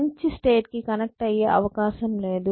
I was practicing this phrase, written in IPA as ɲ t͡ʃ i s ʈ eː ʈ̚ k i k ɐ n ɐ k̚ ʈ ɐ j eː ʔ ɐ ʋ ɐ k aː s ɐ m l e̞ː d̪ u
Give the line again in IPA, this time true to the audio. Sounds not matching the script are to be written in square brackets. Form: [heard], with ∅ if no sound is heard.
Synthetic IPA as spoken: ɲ t͡ʃ i s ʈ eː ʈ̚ k i k ɐ n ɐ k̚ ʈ ɐ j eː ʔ ɐ ʋ ɐ k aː [ʃ] ɐ m l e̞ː d̪ u